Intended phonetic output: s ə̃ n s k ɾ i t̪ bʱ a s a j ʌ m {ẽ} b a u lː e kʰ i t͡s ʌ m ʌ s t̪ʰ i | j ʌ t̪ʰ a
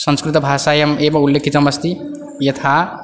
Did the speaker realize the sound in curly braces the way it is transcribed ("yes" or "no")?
no